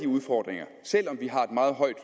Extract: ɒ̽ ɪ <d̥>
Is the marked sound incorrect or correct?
correct